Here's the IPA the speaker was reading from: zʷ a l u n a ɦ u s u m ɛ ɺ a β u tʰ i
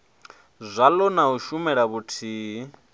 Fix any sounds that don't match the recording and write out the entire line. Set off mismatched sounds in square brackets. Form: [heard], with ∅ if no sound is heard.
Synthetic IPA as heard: zʷ a l [ɔ] n a ɦ u [ʃ] u m ɛ ɺ a β u tʰ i